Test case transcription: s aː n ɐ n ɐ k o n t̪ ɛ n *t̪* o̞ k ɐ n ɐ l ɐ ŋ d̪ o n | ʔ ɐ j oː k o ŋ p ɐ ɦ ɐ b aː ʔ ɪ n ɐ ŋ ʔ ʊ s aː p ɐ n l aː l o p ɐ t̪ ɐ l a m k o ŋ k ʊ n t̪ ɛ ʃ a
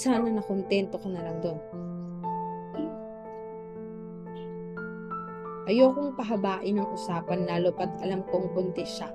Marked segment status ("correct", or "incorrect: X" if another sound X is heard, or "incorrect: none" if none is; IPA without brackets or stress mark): correct